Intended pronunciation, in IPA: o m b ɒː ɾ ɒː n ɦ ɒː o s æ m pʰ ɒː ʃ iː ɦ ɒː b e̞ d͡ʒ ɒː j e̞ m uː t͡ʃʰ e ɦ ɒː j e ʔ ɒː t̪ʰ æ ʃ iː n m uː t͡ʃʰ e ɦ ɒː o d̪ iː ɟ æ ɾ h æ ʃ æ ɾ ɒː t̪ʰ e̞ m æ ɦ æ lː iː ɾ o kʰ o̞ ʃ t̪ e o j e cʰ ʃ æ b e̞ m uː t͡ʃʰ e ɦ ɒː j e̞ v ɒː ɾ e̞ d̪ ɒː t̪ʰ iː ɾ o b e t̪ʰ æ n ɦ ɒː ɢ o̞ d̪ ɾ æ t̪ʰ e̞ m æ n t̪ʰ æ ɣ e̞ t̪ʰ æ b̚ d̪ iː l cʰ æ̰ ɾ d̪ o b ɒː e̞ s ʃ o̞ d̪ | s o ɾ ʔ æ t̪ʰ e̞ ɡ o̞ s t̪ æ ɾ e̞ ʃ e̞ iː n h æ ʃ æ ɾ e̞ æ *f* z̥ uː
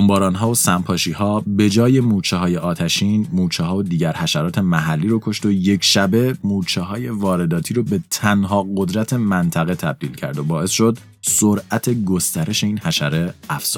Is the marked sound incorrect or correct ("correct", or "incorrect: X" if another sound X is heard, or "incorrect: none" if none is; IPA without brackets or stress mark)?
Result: correct